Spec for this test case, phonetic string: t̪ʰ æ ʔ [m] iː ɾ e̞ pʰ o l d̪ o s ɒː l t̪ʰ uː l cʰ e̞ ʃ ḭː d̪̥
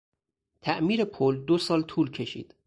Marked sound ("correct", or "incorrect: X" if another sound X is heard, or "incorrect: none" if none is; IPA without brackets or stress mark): correct